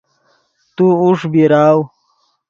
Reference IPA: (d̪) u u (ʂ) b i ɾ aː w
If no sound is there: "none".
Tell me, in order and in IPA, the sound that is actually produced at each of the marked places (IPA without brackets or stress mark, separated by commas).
t̪, ʂ